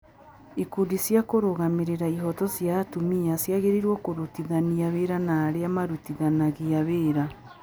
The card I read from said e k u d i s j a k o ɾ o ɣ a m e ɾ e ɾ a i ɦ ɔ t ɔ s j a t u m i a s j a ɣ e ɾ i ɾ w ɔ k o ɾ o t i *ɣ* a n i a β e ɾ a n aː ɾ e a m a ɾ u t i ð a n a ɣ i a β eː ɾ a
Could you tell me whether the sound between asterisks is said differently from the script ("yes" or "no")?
yes